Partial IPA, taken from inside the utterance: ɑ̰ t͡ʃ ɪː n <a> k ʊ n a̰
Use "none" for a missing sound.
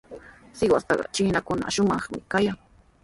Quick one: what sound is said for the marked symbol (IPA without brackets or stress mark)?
a